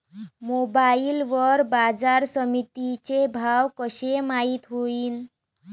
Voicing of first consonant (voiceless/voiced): voiced